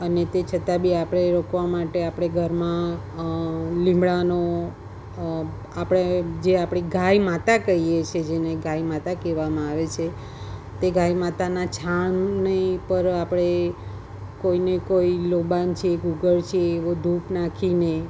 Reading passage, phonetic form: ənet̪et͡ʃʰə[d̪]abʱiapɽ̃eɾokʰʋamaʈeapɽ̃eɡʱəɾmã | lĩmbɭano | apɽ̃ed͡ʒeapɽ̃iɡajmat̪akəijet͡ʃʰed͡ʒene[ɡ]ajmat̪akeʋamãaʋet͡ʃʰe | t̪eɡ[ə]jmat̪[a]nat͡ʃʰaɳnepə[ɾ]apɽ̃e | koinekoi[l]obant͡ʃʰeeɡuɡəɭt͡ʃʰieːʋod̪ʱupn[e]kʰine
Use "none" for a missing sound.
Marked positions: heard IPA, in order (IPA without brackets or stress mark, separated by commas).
t̪, ɡ, a, a, ɾ, l, a